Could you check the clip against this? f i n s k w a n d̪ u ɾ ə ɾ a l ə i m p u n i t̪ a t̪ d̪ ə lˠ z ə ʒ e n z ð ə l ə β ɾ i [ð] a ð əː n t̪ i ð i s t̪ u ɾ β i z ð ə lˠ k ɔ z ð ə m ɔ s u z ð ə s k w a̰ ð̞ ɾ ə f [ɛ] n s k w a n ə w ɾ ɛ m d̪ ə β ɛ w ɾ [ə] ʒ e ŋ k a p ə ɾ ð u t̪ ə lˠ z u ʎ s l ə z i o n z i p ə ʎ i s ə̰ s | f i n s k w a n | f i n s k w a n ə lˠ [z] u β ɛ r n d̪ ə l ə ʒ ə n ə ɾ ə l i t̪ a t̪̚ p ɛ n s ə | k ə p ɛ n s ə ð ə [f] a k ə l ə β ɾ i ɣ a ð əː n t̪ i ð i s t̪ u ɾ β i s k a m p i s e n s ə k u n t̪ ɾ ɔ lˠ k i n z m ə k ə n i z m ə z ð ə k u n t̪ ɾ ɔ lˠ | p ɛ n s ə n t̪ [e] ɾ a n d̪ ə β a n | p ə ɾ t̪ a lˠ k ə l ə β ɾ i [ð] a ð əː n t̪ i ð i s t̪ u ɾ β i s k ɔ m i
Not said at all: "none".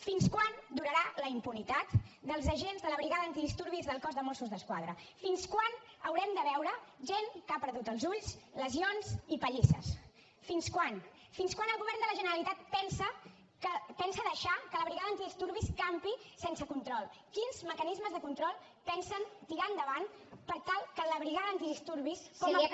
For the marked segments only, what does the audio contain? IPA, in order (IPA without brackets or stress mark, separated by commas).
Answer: ɣ, i, ə, ɣ, ʃ, i, ɣ